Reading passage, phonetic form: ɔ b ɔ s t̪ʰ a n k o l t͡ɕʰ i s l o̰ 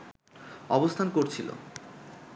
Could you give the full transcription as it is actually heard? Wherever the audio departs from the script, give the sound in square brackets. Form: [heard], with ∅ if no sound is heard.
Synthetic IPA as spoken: ɔ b [o] s t̪ʰ a n k o [ɾ] t͡ɕʰ i [∅] l o̰